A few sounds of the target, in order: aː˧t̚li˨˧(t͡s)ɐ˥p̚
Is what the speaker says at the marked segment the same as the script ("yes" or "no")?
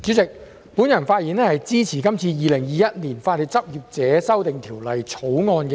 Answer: yes